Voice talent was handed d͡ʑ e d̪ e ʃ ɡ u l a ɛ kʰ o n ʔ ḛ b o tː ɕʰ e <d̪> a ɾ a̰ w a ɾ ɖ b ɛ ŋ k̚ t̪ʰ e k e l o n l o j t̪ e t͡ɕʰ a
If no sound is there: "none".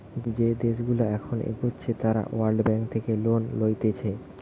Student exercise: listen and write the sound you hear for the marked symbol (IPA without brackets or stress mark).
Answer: t̪